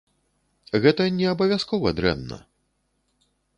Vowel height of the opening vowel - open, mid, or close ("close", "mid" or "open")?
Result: mid